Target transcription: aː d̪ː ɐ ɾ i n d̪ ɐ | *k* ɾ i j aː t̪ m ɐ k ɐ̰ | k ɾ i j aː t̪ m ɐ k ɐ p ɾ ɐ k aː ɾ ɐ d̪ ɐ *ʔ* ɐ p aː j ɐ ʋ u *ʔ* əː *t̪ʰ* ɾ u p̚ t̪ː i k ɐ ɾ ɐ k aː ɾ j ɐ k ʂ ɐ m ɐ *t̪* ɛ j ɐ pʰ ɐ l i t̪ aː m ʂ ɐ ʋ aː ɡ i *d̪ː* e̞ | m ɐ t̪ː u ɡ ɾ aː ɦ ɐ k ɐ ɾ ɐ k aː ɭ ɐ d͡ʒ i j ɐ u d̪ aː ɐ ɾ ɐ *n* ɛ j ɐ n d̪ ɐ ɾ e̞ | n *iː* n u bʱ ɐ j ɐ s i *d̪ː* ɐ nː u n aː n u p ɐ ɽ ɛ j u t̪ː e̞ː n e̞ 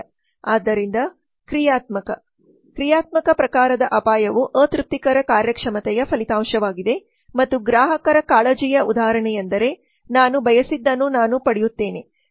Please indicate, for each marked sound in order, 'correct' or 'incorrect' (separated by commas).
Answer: correct, correct, correct, incorrect, correct, incorrect, incorrect, incorrect, correct